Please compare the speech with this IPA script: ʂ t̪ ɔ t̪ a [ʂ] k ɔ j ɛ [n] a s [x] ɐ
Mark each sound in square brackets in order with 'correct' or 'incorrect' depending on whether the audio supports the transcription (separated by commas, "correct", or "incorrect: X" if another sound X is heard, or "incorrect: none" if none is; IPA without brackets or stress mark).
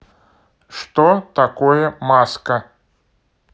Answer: incorrect: none, incorrect: m, incorrect: k